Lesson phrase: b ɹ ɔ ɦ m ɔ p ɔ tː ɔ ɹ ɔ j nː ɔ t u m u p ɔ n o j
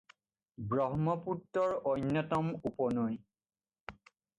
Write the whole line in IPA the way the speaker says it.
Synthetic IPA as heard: b ɹ ɔ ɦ m ɔ p u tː ɔ ɹ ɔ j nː ɔ t ɔ m u p ɔ n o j